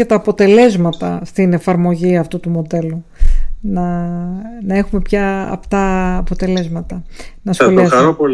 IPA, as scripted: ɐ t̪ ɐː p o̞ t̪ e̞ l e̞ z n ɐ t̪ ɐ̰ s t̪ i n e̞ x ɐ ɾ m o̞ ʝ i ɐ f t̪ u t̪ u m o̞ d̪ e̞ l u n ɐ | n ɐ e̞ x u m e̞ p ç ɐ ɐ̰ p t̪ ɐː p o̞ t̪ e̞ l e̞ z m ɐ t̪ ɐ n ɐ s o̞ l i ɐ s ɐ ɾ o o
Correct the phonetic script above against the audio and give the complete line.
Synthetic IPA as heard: ɐ t̪ ɐː p o̞ t̪ e̞ l e̞ z m ɐ t̪ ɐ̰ s t̪ i n e̞ f ɐ ɾ m o̞ ʝ i ɐ f t̪ u t̪ u m o̞ d̪ e̞ l u n ɐ | n ɐ e̞ x u m e̞ p ç ɐ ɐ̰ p t̪ ɐː p o̞ t̪ e̞ l e̞ z m ɐ t̪ ɐ n ɐ s o̞ l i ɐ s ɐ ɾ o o